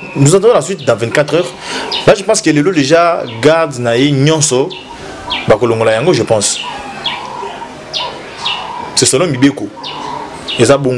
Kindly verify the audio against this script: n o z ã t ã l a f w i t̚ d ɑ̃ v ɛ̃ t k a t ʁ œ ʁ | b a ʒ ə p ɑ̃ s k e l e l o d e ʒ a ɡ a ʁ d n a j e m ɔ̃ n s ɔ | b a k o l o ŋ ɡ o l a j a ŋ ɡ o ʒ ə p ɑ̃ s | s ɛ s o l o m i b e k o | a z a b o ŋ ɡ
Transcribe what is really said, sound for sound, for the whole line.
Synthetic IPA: n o z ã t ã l a s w i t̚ d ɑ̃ v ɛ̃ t k a t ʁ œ ʁ | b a ʒ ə p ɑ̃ s k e l e l o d e ʒ a ɡ a ʁ d n a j e ɲ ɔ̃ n s ɔ | b a k o l o ŋ ɡ o l a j a ŋ ɡ o ʒ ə p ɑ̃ s | s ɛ s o l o m i b e k o | e z a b o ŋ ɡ